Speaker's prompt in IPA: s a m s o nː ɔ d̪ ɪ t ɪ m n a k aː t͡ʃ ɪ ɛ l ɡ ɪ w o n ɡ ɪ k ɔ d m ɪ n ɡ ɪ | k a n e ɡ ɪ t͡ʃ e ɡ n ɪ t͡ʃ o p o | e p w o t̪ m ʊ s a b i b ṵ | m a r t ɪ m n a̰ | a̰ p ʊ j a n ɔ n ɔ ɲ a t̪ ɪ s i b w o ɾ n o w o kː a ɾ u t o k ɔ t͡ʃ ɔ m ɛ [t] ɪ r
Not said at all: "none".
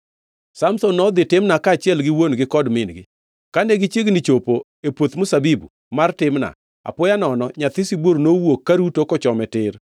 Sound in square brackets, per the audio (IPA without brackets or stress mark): t